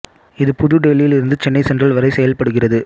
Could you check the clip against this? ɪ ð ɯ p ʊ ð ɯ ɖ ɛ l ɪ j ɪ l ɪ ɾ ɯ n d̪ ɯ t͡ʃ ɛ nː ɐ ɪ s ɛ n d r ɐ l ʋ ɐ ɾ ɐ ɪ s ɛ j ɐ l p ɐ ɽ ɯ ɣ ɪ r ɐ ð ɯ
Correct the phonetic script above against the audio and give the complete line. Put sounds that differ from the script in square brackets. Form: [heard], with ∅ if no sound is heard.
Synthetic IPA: ɪ ð ɯ p ʊ ð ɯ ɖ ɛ l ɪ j ɪ l ɪ ɾ ɯ n d̪ ɯ t͡ʃ ɛ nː ɐ ɪ s ɛ n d r ɐ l ʋ ɐ ɾ ɐ ɪ s ɛ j ɐ l p ɐ ɽ ɯ ɣ ɪ r ɐ ð ɯ